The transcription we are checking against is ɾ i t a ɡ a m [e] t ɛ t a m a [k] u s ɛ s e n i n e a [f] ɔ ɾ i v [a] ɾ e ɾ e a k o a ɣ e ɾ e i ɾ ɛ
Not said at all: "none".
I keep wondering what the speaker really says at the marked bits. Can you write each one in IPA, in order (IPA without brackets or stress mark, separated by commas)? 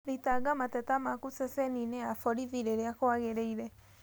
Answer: a, k, f, i